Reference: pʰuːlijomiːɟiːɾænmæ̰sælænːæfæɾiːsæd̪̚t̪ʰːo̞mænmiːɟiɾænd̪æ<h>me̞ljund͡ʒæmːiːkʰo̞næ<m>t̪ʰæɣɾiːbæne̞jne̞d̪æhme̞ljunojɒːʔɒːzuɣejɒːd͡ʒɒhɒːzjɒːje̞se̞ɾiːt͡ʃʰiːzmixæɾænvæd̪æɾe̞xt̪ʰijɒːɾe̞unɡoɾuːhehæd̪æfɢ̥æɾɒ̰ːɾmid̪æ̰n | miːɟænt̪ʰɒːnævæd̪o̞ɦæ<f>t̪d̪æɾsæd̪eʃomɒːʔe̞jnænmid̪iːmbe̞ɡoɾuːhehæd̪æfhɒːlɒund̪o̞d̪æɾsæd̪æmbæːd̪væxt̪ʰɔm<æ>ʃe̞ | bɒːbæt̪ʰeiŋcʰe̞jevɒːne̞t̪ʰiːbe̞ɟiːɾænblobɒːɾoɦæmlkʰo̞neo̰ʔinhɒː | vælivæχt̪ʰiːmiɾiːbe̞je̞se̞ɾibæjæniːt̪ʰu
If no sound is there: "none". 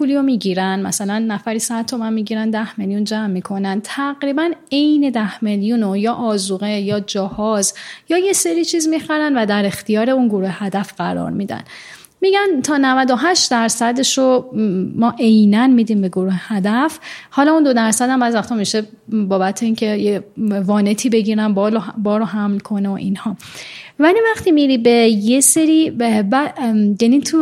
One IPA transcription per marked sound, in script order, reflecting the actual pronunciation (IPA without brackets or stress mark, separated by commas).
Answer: h, n, ʃ, i